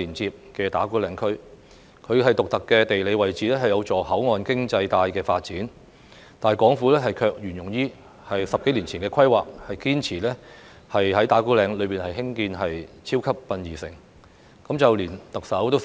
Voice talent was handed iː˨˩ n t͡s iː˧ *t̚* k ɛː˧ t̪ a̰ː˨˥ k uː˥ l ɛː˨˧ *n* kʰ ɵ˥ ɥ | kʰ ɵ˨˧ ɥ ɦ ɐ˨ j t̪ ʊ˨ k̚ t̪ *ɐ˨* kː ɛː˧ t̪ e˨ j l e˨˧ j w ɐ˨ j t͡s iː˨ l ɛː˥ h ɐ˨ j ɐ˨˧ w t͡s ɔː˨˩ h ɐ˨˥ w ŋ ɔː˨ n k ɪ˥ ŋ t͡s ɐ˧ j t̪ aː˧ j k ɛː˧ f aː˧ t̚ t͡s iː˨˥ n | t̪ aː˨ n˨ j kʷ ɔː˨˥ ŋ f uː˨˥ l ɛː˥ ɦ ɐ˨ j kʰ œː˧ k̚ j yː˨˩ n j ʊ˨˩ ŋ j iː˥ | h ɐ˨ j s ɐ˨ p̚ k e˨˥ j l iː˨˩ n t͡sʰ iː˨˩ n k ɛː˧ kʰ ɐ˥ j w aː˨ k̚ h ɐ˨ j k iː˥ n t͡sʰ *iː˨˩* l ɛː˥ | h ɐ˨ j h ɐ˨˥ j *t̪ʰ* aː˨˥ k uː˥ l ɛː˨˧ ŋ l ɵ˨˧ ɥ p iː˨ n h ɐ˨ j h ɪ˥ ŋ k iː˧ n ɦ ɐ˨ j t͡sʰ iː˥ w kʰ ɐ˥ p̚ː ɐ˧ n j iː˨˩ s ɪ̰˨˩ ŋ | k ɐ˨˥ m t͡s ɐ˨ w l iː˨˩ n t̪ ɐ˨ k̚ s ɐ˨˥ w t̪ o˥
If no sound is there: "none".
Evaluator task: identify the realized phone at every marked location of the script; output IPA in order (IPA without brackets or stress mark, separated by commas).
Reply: p̚, ŋ, ɐ˨, iː˨˩, t̪